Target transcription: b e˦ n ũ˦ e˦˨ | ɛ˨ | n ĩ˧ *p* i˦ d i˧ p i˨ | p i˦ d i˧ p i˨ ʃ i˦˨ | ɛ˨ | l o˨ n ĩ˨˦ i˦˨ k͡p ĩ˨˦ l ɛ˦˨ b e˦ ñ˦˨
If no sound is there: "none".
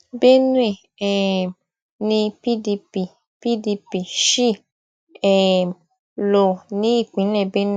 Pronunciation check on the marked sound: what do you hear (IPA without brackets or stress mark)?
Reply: p